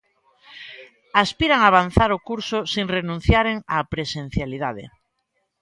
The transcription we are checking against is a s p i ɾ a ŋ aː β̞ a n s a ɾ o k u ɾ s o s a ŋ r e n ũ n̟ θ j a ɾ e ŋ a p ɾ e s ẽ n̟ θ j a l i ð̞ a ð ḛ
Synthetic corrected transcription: a s p i ɾ a ŋ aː β̞ a n θ a ɾ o k u ɾ s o s i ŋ r e n ũ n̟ θ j a ɾ e ŋ a p ɾ e s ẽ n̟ θ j a l i ð̞ a ð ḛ